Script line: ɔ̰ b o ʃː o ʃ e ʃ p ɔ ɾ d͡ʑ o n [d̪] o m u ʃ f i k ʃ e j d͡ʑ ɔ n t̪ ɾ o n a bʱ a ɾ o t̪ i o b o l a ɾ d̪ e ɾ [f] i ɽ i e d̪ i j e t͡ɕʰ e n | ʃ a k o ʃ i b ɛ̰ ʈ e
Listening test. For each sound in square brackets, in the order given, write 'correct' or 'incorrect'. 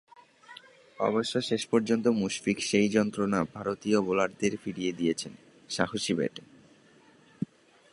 incorrect, correct

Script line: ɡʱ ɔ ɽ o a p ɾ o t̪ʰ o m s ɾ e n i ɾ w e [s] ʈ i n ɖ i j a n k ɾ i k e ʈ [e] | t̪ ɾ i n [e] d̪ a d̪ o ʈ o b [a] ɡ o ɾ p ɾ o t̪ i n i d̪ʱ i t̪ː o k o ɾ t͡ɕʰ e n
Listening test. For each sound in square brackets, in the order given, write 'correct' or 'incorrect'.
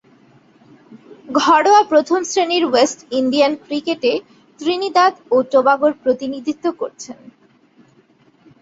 correct, correct, incorrect, correct

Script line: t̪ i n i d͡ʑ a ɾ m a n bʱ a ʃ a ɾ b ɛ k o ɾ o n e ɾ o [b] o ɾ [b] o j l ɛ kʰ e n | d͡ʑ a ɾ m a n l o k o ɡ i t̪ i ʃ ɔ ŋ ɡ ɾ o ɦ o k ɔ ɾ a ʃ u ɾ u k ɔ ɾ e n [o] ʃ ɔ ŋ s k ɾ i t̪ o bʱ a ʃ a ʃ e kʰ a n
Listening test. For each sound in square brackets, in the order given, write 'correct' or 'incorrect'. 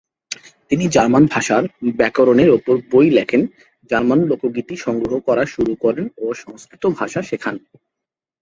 incorrect, correct, correct

